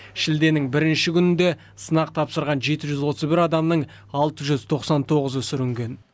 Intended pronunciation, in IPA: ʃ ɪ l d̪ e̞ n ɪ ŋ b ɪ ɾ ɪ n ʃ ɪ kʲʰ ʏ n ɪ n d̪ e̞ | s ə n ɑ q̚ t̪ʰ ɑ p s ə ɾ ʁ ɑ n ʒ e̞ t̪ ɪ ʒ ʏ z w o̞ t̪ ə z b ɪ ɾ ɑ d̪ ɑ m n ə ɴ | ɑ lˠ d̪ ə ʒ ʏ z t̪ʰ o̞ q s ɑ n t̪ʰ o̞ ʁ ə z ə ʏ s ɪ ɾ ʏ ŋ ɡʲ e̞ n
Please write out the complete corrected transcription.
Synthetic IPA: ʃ ɪ l d̪ e̞ n ɪ ŋ b ɪ ɾ ɪ n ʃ ɪ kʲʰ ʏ n ɪ n d̪ e̞ | s ə n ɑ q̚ t̪ʰ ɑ p s ə ɾ ʁ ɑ n ʒ e̞ t̪ ɪ ʒ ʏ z w o̞ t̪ ə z b ɪ ɾ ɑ d̪ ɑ m n ə ɴ | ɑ lˠ t̪ ə ʒ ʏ z t̪ʰ o̞ q s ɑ n t̪ʰ o̞ ʁ ə z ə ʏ s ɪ ɾ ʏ ŋ ɡʲ e̞ n